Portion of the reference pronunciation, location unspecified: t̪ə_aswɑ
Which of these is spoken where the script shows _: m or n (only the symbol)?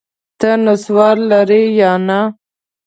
n